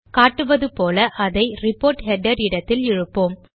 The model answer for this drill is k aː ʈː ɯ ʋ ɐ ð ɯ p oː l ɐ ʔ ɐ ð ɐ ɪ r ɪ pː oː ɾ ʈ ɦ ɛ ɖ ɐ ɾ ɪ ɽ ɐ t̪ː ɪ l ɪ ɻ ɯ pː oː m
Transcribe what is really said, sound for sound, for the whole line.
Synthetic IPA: k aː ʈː ɯ ʋ ɐ ð ɯ p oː l ɐ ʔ ɐ ð ɐ ɪ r ɪ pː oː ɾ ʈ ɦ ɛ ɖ ɐ ɾ ɪ ɽ ɐ t̪ː ɪ l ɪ ɻ ɯ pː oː m